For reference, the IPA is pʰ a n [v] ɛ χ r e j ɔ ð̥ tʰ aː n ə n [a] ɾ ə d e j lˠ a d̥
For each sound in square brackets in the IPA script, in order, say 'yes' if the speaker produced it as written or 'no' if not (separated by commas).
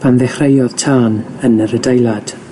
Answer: no, no